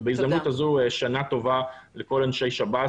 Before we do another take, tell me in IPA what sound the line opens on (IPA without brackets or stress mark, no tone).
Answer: b